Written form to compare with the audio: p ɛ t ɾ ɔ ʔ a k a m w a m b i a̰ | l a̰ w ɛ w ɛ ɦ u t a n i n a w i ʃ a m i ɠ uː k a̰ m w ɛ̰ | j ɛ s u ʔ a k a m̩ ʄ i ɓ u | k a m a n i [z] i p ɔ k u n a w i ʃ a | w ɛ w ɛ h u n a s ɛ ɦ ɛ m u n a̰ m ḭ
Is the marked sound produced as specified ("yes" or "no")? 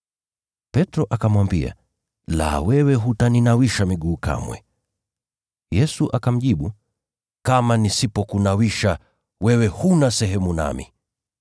no